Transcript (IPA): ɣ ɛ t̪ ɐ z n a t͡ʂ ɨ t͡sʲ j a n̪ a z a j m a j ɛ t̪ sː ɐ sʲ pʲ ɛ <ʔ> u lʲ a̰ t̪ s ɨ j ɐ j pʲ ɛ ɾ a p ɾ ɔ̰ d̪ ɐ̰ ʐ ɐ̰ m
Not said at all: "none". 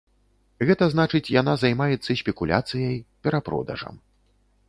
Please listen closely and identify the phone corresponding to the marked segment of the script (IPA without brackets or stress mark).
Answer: k